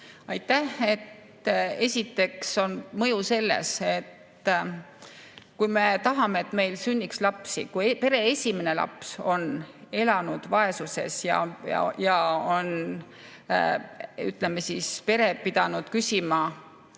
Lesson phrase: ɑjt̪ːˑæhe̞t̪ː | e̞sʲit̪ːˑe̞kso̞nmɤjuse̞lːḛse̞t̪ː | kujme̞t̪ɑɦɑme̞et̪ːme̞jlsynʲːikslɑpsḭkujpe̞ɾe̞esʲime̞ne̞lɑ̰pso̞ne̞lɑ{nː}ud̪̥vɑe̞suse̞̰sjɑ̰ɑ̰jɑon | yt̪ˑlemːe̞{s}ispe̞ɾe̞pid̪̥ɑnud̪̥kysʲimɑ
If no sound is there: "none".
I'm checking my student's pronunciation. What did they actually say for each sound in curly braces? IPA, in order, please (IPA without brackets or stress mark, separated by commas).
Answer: n, s